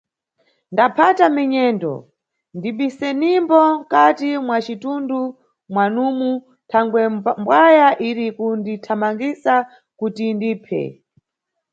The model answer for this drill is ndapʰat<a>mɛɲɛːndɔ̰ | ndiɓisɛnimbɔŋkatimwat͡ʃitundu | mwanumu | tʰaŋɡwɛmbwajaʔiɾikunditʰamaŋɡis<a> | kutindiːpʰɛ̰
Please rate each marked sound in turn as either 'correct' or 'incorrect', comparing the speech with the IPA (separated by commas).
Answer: correct, correct